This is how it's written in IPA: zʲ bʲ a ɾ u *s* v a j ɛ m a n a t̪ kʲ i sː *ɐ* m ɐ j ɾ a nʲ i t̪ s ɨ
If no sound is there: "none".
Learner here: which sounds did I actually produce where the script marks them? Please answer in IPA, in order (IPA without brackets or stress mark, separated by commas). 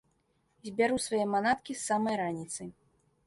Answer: s, a